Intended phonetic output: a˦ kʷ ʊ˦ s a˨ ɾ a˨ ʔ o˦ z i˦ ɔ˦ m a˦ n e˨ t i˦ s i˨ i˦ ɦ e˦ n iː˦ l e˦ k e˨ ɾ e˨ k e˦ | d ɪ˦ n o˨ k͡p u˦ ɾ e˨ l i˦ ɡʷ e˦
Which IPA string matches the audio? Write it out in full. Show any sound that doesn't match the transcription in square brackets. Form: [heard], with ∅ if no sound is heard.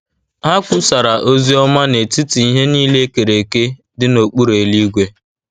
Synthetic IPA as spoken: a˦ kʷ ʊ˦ s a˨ ɾ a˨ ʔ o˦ z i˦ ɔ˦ m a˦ n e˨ t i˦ [t] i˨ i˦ ɦ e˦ n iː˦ l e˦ k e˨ ɾ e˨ k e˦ | d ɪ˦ n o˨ k͡p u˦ ɾ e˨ l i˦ ɡʷ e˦

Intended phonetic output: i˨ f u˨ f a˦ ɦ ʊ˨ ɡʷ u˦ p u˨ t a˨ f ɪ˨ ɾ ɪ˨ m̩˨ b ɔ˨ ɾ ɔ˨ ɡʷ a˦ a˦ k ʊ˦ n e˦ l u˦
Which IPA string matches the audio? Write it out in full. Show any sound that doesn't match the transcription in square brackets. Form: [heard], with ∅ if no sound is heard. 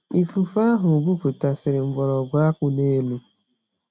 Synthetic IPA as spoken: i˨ f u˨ f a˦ ɦ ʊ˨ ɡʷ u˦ [k] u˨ t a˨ [s] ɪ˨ ɾ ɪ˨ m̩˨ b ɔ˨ ɾ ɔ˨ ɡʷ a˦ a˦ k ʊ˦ n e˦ l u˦

